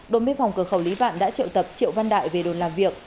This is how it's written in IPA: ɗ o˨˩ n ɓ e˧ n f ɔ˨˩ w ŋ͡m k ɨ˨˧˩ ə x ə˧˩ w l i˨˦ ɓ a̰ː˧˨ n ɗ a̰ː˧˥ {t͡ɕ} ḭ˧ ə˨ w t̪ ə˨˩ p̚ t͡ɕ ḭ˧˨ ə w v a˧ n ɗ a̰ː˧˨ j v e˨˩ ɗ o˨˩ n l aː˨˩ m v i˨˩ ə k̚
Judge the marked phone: correct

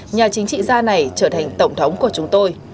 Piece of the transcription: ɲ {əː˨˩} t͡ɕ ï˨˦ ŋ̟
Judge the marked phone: incorrect: aː˨˩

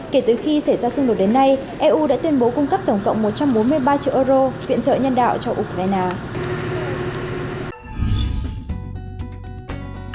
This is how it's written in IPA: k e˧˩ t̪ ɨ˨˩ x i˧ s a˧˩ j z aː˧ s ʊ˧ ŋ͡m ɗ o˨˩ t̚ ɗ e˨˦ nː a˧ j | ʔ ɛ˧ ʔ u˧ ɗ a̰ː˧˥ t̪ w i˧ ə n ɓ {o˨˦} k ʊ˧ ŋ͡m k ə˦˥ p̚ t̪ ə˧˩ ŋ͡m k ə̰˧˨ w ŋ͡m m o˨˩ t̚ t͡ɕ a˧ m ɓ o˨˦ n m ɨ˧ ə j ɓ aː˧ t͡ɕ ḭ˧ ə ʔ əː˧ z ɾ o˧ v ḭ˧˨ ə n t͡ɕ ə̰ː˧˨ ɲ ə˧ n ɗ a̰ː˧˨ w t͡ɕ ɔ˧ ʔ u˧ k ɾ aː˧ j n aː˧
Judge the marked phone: correct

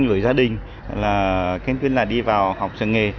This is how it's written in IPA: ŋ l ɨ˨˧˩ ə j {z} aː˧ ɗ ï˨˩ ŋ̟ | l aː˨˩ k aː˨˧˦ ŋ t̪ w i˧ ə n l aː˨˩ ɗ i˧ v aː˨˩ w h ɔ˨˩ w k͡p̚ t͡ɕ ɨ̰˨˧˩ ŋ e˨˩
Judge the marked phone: correct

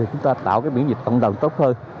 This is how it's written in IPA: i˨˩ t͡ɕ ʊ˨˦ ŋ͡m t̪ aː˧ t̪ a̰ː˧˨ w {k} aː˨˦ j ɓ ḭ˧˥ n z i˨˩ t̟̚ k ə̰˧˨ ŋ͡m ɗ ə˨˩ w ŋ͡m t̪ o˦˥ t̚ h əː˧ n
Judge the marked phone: correct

